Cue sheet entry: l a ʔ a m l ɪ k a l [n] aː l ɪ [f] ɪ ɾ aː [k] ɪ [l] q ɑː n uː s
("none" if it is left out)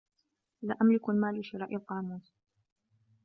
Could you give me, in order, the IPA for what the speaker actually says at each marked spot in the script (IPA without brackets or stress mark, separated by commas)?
m, ʃ, ʔ, l